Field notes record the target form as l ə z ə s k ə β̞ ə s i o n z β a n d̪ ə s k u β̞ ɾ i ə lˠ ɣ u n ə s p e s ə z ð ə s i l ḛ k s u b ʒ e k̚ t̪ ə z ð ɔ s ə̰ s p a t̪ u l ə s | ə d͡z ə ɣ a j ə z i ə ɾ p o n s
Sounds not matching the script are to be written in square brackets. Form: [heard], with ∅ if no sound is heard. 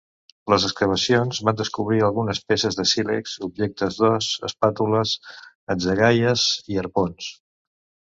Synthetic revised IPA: l ə z ə s k ə β̞ ə s i o n z β a n d̪ ə s k u β̞ ɾ i ə lˠ ɣ u n ə s p e s ə z ð ə s i l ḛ k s u b ʒ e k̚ t̪ ə z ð ɔ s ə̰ s p a t̪ u l ə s | ə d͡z ə ɣ a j ə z i ə ɾ p o n s